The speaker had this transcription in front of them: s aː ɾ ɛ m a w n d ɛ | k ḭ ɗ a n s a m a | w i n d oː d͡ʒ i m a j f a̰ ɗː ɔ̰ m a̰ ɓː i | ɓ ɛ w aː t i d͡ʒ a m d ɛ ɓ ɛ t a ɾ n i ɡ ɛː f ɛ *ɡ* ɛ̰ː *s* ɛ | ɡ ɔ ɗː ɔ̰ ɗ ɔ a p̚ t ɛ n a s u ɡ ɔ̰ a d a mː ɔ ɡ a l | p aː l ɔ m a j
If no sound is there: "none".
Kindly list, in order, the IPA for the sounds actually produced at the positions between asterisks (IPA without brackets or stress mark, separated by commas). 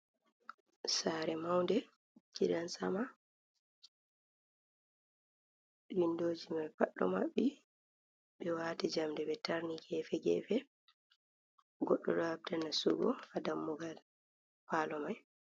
ɡ, f